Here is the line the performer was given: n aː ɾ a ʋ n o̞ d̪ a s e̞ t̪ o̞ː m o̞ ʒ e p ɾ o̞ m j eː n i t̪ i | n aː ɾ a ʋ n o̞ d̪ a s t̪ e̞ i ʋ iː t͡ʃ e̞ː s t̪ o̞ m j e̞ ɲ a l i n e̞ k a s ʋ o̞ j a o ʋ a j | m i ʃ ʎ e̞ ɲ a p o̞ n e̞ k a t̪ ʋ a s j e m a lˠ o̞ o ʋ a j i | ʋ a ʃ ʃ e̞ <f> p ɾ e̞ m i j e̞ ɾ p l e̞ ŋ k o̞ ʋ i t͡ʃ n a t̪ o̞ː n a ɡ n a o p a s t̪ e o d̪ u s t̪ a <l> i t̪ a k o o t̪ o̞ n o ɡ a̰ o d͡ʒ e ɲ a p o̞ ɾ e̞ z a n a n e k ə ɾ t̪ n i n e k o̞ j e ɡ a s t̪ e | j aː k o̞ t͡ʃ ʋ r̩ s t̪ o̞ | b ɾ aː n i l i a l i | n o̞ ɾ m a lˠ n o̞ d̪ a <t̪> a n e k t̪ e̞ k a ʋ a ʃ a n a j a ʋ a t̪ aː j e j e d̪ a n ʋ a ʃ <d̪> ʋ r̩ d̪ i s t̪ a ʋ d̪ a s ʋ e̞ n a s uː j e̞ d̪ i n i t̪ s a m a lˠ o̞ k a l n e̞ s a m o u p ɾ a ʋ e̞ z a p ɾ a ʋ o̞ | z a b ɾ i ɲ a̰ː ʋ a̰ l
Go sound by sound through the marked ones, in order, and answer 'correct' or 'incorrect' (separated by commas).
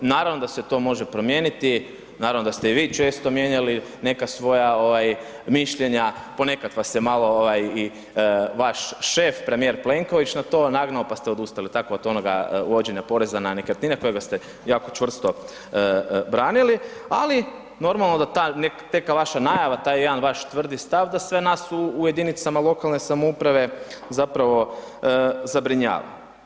correct, correct, correct, incorrect